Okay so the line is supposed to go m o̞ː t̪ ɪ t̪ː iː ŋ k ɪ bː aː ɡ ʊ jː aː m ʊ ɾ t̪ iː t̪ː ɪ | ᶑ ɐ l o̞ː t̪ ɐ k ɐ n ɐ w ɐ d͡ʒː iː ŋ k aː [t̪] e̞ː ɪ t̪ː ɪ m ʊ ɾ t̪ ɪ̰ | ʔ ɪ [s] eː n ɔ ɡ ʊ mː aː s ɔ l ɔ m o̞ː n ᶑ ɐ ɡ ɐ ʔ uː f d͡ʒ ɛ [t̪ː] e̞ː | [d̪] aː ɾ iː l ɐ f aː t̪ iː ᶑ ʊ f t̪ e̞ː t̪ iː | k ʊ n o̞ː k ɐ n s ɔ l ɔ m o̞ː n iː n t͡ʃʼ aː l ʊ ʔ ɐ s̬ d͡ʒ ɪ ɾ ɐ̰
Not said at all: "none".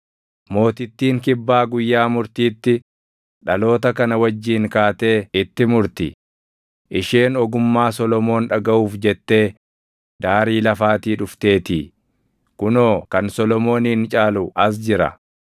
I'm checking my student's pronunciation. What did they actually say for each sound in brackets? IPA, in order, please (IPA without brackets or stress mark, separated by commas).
t̪, ʃ, t̪ː, d̪